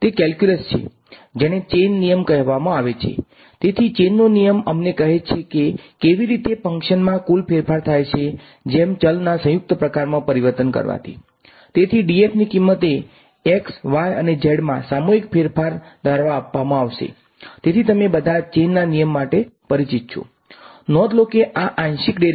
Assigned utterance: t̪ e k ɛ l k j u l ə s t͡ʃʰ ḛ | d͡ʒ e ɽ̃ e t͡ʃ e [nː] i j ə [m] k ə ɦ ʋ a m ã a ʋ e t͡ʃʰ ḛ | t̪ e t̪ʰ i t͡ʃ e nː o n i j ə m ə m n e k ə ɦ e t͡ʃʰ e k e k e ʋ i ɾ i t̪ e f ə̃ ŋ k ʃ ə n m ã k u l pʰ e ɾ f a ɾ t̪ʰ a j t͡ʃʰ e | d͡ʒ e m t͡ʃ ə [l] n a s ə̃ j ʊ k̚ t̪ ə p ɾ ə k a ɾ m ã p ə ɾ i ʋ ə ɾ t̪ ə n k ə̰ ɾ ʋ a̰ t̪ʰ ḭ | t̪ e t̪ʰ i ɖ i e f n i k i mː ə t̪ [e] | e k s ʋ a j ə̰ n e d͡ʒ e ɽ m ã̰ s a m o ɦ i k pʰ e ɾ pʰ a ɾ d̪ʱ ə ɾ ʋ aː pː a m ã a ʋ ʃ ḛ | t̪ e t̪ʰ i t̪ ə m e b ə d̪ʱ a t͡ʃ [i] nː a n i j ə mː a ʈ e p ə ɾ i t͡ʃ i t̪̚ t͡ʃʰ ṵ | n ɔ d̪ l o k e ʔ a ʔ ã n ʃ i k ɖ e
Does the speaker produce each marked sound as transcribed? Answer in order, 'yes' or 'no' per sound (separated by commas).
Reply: yes, yes, yes, yes, no